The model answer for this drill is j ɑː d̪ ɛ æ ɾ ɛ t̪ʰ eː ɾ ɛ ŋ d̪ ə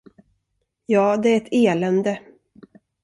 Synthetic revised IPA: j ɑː d̪ ɛ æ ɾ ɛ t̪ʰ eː l ɛ n d̪ ə